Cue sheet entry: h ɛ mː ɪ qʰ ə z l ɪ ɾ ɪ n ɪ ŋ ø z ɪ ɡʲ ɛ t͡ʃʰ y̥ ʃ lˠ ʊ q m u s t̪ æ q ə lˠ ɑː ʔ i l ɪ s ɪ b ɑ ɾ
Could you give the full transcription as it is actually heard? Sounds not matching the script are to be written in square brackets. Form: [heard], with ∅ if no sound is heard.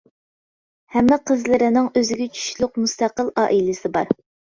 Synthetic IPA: h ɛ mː ɪ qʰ ə z l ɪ ɾ ɪ n ɪ ŋ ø z ɪ ɡʲ ɛ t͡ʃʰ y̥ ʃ lˠ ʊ q m u s t̪ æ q ə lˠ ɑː ʔ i l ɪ s ɪ b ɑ ɾ